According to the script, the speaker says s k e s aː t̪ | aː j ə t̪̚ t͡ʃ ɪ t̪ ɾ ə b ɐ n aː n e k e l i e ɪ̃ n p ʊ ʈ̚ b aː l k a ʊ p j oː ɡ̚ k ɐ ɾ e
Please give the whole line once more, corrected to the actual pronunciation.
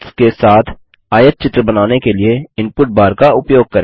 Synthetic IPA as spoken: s k e s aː t̪ʰ | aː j ə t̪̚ t͡ʃ ɪ t̪ ɾ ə b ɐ n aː n e k e l i e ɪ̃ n p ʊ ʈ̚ b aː ɾ k a ʊ p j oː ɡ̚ k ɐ ɾ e

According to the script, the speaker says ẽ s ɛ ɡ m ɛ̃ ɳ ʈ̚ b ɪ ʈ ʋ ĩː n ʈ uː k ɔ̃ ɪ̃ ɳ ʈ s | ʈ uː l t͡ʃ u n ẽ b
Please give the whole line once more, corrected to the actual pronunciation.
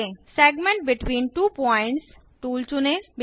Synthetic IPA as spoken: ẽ s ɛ ɡ m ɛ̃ ɳ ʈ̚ b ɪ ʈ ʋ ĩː n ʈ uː p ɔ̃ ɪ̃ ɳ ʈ s | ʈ uː l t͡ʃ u n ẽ b

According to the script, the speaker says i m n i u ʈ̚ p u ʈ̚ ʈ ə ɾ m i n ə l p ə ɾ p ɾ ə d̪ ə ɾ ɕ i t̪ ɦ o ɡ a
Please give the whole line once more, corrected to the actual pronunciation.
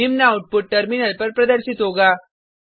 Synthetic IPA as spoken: i m n a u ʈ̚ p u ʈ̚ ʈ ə ɾ m i n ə l p ə ɾ p ɾ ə d̪ ə ɾ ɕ i t̪ ɦ o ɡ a

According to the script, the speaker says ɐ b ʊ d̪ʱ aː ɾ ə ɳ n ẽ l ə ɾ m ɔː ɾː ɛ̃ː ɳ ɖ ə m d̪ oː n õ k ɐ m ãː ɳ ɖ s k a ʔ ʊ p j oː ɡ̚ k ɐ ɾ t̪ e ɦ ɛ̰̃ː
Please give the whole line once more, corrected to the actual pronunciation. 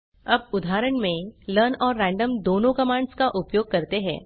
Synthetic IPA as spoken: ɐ b ʊ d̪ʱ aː ɾ ə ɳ m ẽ l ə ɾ n ɔː ɾː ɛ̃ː ɳ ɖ ə m d̪ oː n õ k ɐ m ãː ɳ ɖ s k a ʔ ʊ p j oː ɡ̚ k ɐ ɾ t̪ e ɦ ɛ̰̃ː

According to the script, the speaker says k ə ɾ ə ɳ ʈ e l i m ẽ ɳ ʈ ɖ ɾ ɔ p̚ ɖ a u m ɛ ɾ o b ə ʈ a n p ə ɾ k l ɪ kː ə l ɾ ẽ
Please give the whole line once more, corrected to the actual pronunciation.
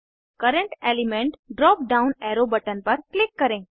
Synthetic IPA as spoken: k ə ɾ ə ɳ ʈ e l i m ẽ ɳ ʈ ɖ ɾ ɔ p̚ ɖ a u n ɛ ɾ o b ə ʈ ə n p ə ɾ k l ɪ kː ə ɾ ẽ

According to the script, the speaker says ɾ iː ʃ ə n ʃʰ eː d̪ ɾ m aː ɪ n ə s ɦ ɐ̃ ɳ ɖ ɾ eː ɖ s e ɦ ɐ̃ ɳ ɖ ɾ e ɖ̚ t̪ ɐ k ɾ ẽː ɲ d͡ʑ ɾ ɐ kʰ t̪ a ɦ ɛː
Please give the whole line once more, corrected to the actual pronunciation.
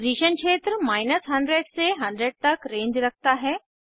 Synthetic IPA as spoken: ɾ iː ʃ ə n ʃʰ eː t̪ ɾ m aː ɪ n ə s ɦ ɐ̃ ɳ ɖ ɾ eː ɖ s e ɦ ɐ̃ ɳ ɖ ɾ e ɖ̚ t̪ ɐ k ɾ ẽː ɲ d͡ʑ ɾ ɐ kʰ t̪ a ɦ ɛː

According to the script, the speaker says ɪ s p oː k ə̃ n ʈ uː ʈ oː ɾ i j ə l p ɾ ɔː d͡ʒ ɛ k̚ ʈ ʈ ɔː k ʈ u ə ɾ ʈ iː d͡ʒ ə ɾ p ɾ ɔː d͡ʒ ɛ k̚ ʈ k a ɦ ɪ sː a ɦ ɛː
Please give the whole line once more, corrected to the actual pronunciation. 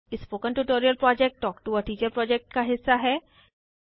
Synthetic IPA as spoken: ɪ s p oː k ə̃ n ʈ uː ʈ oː ɾ i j ə l p ɾ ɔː d͡ʒ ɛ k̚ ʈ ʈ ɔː k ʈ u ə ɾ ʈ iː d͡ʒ ə ɾ p ɾ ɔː d͡ʒ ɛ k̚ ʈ k a ɦ ɪ sː a ɦ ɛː

